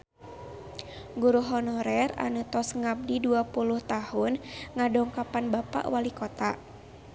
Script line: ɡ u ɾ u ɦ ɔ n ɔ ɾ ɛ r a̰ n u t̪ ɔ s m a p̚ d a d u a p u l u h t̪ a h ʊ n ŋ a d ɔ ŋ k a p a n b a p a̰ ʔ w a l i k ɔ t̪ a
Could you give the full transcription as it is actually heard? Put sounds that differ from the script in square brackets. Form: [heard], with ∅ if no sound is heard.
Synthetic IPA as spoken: ɡ u ɾ u ɦ ɔ n ɔ ɾ ɛ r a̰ n u t̪ ɔ s [ŋ] a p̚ d [i] d u a p u l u h t̪ a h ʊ n ŋ a d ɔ ŋ k a p a n b a p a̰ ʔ w a l i k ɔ t̪ a